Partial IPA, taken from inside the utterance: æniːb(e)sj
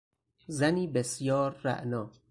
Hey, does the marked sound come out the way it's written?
yes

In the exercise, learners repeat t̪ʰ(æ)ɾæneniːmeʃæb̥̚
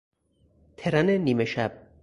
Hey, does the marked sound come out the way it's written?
no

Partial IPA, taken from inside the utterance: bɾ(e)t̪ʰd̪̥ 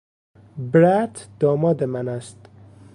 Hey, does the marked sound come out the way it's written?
no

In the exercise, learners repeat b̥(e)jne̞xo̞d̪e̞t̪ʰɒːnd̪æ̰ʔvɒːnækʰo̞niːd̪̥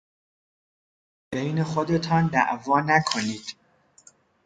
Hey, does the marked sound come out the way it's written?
yes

